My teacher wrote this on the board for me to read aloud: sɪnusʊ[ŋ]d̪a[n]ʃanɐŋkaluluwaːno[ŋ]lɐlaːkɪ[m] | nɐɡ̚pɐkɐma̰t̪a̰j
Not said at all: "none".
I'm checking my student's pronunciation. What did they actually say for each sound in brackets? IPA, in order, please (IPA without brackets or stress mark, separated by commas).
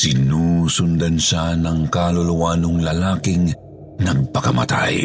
n, n, ŋ, ŋ